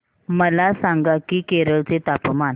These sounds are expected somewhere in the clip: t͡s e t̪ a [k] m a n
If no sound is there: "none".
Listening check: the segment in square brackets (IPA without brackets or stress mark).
p